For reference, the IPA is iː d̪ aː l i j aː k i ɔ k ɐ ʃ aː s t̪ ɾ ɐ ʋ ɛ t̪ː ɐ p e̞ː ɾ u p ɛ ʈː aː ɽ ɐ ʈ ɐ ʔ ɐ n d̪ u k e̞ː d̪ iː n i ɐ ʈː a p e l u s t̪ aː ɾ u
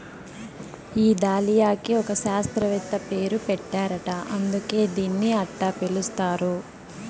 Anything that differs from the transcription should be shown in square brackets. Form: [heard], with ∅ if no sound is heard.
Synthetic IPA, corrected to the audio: iː d̪ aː l i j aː k i ɔ k ɐ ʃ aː s t̪ ɾ ɐ ʋ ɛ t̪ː ɐ p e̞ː ɾ u p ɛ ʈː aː [ɾ] ɐ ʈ ɐ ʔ ɐ n d̪ u k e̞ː d̪ iː [nː] i ɐ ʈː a p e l u s t̪ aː ɾ u